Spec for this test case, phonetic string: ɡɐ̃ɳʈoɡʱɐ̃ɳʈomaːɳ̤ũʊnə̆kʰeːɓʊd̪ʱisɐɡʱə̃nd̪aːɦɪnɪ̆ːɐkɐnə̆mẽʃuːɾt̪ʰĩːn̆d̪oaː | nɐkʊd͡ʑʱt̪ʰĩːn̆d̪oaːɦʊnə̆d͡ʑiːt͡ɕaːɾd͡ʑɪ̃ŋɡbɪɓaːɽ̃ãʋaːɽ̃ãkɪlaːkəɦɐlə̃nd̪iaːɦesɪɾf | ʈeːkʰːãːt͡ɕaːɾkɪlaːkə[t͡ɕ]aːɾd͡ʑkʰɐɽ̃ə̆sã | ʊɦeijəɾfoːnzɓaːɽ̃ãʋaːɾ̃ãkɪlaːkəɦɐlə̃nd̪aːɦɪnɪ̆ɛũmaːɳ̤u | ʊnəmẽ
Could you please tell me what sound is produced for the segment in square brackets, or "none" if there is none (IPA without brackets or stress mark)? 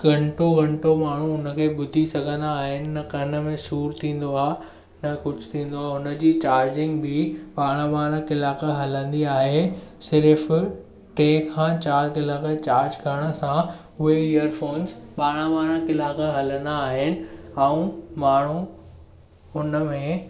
t͡ɕ